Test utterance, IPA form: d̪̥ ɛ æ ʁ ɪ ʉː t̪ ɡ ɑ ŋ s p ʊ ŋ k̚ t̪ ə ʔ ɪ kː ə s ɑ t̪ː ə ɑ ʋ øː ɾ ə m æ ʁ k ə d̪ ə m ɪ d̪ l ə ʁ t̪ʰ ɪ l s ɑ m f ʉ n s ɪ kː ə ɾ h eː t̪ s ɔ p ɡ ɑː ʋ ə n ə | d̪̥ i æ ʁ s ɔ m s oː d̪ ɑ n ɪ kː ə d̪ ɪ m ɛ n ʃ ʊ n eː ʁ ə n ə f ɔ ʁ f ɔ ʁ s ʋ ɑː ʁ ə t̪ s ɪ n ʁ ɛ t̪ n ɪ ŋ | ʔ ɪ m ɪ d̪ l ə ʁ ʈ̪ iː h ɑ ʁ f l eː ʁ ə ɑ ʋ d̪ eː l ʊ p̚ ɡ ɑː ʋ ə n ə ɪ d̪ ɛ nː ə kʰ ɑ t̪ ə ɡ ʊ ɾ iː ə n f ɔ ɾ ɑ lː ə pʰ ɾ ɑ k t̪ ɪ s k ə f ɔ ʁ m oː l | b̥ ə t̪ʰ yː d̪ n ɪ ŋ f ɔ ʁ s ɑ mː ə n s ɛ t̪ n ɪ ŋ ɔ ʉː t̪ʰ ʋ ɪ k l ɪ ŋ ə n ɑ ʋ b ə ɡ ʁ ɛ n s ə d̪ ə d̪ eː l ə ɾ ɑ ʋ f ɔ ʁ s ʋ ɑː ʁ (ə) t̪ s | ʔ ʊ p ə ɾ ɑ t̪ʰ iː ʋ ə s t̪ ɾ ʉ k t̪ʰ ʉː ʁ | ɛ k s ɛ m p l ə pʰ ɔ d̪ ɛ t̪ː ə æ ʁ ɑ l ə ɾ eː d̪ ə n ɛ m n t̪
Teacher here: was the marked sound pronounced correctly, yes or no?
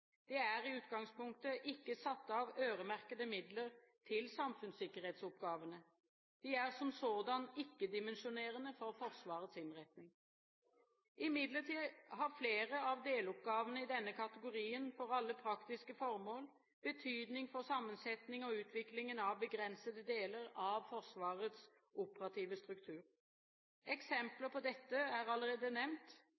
yes